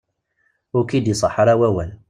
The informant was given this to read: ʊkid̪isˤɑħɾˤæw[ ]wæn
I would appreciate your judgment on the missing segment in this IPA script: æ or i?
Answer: æ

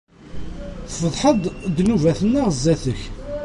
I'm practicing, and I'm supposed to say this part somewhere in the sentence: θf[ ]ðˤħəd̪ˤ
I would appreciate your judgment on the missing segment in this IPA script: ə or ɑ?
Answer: ə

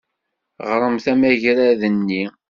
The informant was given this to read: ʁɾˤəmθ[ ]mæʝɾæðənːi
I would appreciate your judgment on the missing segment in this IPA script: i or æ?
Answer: æ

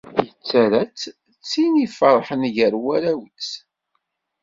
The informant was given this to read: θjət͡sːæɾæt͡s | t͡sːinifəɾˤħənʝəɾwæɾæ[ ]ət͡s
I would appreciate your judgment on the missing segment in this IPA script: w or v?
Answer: w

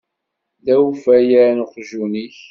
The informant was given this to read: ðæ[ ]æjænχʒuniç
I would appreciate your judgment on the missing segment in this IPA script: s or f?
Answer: f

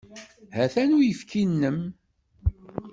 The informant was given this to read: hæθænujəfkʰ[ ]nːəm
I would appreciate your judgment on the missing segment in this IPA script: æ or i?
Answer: i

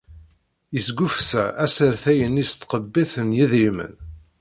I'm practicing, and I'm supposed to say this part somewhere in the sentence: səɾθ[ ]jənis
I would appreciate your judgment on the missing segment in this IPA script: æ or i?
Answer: æ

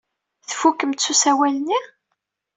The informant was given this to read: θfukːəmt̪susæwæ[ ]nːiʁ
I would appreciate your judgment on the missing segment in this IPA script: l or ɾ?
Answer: l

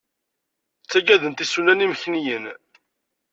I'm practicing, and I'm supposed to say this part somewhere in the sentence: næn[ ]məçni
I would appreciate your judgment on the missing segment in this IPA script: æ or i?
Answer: i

